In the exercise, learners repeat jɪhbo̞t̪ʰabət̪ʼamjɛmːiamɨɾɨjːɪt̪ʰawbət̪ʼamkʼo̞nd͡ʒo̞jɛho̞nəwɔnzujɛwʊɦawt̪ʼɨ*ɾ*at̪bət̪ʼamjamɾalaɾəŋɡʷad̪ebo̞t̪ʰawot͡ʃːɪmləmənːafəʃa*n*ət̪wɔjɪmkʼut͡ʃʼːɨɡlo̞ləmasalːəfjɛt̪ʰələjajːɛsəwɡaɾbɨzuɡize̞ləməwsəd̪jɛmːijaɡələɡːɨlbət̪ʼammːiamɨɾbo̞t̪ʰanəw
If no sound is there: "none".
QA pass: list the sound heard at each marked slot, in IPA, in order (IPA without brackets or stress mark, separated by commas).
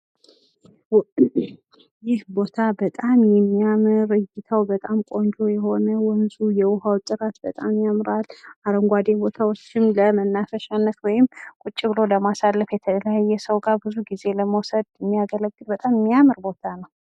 ɾ, nː